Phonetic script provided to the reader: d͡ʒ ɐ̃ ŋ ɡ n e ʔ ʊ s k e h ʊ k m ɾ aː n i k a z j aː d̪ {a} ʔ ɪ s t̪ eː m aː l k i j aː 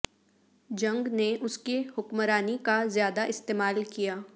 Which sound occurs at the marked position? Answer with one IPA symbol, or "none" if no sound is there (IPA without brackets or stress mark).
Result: a